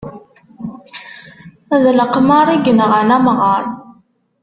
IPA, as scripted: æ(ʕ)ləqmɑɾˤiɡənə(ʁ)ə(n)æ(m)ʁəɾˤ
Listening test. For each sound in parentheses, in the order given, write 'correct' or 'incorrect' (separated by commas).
incorrect, correct, correct, correct